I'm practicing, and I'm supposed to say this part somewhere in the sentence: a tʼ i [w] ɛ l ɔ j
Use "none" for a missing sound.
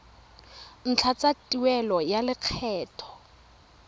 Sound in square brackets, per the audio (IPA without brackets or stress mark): w